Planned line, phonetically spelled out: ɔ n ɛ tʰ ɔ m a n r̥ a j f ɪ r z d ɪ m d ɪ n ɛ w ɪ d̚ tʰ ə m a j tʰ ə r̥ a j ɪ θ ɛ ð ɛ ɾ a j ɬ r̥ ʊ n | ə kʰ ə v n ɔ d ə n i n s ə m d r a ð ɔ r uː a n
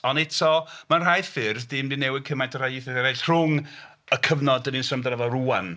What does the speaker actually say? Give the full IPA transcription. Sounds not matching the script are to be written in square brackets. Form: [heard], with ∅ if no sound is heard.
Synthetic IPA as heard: ɔ n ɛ tʰ ɔ m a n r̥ a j f ɪ r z d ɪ m d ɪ n ɛ w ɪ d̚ [kʰ] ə m a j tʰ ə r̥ a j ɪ θ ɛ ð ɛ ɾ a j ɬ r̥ ʊ [ŋ] | ə kʰ ə v n ɔ d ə n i n s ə m d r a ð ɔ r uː a n

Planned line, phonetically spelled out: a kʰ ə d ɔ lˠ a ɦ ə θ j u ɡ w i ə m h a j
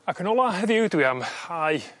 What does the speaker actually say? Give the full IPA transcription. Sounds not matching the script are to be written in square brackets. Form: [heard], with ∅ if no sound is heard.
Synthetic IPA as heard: a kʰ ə [n] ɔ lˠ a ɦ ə [ð] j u [d] w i [a] m h a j

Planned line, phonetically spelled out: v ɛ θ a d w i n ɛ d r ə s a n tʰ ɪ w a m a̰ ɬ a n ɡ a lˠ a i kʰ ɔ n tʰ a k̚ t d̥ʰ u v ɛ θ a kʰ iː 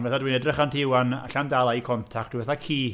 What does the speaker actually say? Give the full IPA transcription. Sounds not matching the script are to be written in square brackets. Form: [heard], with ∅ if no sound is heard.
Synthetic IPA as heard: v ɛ θ a d w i n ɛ d r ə [χ] a n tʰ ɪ w a [n] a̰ ɬ a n [d] a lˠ a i kʰ ɔ n tʰ a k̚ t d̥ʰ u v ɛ θ a kʰ iː

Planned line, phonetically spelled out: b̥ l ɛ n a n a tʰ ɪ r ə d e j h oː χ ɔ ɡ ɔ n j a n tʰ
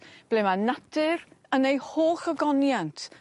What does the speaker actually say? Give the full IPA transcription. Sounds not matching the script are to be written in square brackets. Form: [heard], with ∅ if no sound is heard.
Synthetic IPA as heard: b̥ l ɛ [m] a n a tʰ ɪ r ə [n] e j h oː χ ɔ ɡ ɔ n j a n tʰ

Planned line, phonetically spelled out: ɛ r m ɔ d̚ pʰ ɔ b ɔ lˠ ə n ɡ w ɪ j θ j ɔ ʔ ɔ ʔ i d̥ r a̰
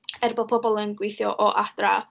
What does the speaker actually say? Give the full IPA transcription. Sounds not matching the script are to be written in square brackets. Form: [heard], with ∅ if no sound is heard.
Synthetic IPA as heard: ɛ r [b] ɔ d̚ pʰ ɔ b ɔ lˠ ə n ɡ w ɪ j θ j ɔ ʔ ɔ ʔ [a] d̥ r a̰

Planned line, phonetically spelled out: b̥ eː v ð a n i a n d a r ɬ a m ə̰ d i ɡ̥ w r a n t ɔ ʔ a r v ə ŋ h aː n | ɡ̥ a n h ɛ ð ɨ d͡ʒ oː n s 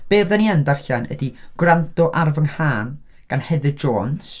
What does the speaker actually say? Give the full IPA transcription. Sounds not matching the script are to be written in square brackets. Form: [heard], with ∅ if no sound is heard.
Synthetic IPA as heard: b̥ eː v ð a n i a n d a r ɬ a [n] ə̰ d i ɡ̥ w r a n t ɔ ʔ a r v ə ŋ h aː n | ɡ̥ a n h ɛ ð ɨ d͡ʒ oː n s

